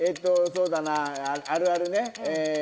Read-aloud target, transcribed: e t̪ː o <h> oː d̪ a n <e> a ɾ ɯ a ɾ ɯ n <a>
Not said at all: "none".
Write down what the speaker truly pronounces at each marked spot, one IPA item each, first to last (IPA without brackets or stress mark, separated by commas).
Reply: s, a, e